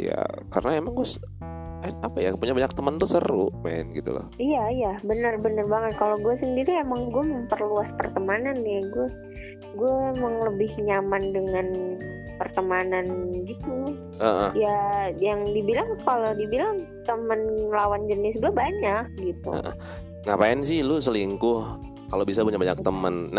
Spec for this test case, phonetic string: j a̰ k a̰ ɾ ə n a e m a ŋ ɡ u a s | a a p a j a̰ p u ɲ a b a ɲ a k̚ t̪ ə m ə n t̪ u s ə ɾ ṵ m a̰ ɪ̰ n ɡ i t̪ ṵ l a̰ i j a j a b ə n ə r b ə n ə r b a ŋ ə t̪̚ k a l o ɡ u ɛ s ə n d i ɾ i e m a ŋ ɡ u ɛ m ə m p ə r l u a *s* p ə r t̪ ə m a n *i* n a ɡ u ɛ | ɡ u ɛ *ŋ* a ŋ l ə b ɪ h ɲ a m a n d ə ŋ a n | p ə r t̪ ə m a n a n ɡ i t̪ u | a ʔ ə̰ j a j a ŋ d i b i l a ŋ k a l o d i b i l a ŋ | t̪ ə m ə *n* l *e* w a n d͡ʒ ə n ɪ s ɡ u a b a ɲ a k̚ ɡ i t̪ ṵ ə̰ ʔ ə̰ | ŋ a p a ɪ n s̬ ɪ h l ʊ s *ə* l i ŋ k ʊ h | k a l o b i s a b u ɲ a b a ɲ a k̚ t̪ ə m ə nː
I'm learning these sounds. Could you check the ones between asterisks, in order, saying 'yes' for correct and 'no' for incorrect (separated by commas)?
yes, no, no, yes, no, yes